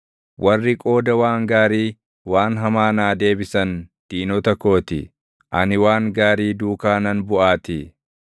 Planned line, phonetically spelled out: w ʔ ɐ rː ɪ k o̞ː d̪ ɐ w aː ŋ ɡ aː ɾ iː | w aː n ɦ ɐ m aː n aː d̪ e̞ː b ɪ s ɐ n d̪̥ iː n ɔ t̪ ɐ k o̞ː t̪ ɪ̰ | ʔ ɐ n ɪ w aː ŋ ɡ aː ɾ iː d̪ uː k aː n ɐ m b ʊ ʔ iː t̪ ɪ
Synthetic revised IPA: w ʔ ɐ rː ɪ kʼ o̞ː d̪ ɐ w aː ŋ ɡ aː ɾ iː | w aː n ɦ ɐ m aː n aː d̪ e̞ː b ɪ s ɐ n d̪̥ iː n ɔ t̪ ɐ k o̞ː t̪ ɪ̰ | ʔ ɐ n ɪ w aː ŋ ɡ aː ɾ iː d̪ uː k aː n ɐ n b ʊ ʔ aː t̪ ɪ